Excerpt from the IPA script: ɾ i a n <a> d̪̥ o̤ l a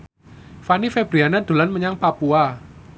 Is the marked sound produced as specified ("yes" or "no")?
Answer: yes